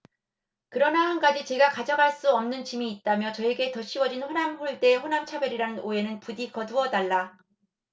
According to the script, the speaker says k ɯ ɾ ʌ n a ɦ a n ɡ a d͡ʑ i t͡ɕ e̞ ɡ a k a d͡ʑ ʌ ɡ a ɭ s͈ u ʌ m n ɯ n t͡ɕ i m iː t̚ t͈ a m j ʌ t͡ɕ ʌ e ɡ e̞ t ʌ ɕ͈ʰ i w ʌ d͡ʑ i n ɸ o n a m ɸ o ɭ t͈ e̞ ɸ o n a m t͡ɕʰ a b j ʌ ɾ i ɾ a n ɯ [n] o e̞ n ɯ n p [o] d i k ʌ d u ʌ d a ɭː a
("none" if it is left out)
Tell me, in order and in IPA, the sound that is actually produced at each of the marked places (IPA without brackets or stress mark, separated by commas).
n, u